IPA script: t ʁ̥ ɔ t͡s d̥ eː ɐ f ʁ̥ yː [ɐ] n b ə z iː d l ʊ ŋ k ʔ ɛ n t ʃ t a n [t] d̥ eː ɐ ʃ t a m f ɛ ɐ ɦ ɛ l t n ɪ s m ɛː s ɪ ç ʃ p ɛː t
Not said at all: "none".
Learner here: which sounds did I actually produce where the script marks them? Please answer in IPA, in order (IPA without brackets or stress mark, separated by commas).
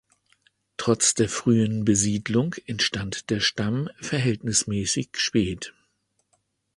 ə, t